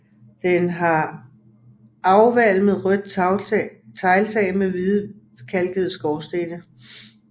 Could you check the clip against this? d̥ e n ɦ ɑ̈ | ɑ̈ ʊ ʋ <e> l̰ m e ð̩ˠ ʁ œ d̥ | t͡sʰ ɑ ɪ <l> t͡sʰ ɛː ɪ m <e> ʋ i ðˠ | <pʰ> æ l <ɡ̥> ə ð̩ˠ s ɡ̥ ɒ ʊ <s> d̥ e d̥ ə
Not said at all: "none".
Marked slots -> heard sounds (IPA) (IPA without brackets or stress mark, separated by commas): æ, l, e, kʰ, ɡ̥, s